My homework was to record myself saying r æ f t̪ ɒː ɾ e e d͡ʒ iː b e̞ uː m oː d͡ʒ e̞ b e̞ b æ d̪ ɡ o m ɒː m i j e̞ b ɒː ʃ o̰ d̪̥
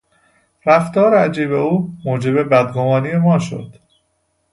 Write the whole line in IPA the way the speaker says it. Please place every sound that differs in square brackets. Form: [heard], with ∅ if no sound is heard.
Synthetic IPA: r æ f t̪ ɒː ɾ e [æ] d͡ʒ iː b e̞ uː m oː d͡ʒ e̞ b e̞ b æ d̪ ɡ o m ɒː [n] i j e̞ [m] ɒː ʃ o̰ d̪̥